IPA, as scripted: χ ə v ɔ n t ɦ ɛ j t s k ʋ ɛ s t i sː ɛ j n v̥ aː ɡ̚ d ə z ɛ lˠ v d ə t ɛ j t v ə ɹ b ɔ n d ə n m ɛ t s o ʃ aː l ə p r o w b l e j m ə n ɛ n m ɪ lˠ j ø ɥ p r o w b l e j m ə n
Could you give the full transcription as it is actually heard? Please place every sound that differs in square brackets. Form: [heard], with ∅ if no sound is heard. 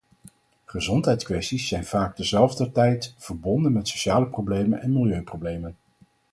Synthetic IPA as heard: χ ə [z] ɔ n t ɦ ɛ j t s k ʋ ɛ s t i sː ɛ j n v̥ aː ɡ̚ d ə z ɛ lˠ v d ə t ɛ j t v ə ɹ b ɔ n d ə n m ɛ t s o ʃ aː l ə p r o w b l e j m ə n ɛ n m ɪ lˠ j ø ɥ p r o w b l e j m ə n